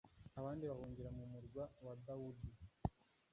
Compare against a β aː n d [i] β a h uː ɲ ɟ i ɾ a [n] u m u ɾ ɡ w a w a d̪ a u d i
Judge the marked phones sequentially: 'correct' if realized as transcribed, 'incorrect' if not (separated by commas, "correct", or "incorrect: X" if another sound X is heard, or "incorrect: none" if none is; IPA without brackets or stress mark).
correct, incorrect: m